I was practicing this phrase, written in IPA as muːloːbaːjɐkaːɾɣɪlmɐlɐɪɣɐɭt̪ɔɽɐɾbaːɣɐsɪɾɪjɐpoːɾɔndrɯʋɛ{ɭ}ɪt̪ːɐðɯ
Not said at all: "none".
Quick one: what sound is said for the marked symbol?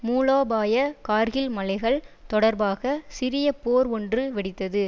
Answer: ɽ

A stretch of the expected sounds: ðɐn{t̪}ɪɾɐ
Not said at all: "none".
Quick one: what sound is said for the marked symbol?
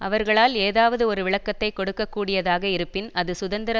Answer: d̪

